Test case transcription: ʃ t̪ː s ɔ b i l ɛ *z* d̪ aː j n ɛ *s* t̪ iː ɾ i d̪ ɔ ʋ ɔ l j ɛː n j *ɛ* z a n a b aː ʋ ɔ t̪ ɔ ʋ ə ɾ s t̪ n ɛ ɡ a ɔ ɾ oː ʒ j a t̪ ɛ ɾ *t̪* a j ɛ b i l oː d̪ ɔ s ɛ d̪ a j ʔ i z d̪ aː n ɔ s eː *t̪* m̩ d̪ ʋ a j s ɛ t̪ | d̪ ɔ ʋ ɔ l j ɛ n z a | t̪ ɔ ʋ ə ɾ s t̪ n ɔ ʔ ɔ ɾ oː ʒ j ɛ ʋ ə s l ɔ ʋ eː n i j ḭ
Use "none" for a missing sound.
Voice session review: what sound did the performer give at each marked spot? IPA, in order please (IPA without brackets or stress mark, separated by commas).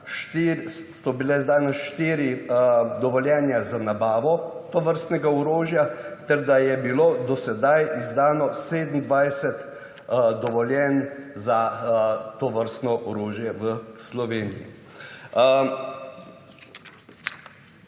z, ʃ, a, d̪, d̪